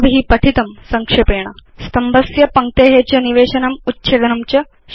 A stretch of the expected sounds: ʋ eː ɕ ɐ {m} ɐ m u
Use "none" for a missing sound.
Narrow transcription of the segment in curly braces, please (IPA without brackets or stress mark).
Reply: n